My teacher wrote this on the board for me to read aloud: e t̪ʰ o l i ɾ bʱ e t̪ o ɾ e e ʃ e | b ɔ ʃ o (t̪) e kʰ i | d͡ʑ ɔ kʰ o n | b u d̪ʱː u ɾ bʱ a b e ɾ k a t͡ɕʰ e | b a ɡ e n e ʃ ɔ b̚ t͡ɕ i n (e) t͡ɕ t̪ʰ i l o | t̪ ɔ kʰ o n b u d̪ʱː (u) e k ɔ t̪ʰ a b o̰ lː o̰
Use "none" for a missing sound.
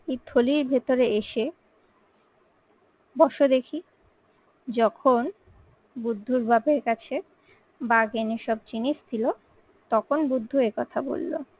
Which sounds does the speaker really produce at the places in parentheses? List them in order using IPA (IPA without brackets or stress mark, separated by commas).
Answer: d̪, i, u